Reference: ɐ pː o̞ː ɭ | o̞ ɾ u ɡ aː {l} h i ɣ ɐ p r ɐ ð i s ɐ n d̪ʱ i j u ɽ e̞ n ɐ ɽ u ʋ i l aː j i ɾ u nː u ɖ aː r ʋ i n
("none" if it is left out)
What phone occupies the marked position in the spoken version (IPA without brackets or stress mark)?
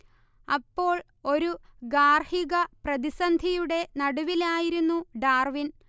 r